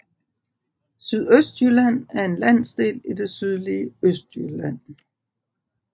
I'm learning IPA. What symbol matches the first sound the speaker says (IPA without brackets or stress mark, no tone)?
s